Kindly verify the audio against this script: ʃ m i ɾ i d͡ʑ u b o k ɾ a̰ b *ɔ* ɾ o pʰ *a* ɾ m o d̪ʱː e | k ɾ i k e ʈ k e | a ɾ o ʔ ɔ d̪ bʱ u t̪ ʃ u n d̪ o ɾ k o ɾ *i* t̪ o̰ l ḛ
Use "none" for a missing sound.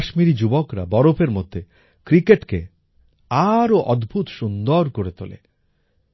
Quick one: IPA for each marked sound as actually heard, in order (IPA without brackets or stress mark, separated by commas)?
ɔ, e, e